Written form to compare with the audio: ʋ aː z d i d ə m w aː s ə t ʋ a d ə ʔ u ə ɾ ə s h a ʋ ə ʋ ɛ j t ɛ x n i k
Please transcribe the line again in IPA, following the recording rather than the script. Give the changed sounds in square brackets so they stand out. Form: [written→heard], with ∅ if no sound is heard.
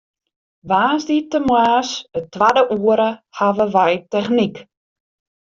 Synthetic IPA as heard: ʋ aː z d i [d→t] ə m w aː s ə t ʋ a d ə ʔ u ə ɾ ə [s→∅] h a ʋ ə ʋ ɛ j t ɛ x n i k